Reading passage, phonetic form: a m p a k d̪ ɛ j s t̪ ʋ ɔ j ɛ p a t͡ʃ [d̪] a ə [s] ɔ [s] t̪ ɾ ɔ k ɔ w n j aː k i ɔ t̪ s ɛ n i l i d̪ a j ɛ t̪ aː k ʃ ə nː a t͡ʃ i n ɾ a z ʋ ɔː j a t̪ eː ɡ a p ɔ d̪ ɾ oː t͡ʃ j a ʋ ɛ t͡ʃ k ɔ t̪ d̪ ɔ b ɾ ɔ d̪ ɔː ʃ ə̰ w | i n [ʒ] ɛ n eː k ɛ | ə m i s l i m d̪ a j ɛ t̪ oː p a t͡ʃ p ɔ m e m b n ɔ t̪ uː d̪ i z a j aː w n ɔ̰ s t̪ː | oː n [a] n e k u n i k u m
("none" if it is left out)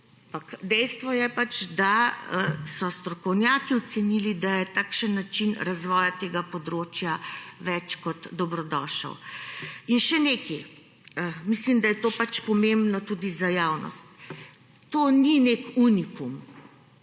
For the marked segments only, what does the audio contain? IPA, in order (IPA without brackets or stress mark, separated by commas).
d̪, s, s, ʃ, i